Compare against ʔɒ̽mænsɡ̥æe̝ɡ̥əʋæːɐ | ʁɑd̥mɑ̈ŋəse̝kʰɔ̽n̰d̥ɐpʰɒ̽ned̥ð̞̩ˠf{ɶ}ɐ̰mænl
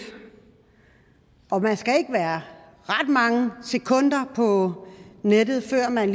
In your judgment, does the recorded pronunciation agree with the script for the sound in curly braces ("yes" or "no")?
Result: yes